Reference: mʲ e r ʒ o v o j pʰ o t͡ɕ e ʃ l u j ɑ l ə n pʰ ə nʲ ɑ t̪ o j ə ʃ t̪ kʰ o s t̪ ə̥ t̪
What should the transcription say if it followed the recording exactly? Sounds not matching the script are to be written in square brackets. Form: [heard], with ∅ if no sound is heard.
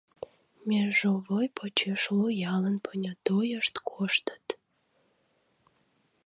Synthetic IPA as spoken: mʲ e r ʒ o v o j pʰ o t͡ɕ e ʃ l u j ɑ l ə n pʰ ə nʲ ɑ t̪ o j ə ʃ t̪ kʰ o [ʃ] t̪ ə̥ t̪